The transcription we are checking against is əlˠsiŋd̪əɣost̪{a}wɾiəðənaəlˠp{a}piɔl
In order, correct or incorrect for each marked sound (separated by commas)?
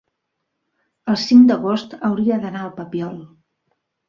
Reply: incorrect, incorrect